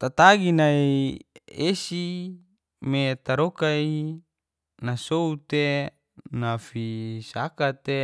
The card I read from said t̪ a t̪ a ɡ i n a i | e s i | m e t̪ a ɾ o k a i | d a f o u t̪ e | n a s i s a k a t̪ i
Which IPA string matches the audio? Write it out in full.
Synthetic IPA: t̪ a t̪ a ɡ i n a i | e s i | m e t̪ a ɾ o k a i | n a s o u t̪ e | n a f i s a k a t̪ e